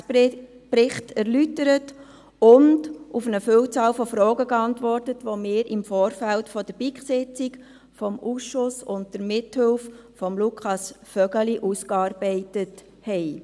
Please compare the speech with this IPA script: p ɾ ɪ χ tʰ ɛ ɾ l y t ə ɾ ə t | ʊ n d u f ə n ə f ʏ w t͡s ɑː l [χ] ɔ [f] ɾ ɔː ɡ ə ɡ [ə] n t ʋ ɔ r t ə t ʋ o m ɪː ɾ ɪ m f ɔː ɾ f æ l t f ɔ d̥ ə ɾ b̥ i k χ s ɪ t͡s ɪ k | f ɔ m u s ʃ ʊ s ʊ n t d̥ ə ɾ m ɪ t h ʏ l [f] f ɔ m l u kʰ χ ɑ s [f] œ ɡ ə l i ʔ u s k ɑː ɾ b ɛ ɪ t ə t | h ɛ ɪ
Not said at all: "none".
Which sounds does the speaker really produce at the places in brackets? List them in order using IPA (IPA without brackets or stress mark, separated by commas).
f, f, ɑ, f, f